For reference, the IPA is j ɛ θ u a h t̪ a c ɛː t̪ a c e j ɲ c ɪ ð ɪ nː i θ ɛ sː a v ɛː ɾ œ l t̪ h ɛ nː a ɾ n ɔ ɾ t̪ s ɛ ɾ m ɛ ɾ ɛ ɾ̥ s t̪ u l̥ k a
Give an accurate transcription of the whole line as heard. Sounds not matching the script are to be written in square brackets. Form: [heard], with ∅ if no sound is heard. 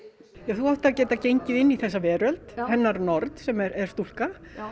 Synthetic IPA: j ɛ θ u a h t̪ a c ɛː t̪ a c e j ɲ c ɪ ð ɪ nː i θ ɛ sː a v ɛː ɾ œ l t̪ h ɛ nː a ɾ n ɔ ɾ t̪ s ɛ [∅] m ɛ ɾ ɛ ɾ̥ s t̪ u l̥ k a